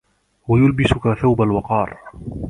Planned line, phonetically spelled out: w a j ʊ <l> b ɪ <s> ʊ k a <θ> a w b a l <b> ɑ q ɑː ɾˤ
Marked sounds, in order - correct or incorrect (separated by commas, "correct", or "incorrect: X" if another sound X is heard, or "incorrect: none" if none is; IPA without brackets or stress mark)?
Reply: correct, correct, correct, incorrect: w